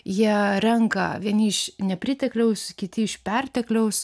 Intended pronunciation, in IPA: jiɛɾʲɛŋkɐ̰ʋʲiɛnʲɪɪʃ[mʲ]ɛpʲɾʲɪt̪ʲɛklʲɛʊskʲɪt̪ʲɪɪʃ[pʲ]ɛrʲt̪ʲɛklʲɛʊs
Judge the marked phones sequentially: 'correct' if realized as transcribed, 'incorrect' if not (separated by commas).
incorrect, correct